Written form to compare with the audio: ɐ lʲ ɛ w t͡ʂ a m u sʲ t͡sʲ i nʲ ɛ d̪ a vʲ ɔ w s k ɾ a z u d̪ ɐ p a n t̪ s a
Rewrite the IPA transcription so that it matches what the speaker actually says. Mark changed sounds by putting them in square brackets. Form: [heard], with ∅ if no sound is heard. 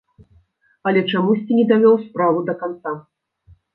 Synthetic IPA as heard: ɐ lʲ ɛ [∅] t͡ʂ a m u sʲ t͡sʲ i nʲ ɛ d̪ a vʲ ɔ w s [p] ɾ a [v] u d̪ ɐ [k] a n t̪ s a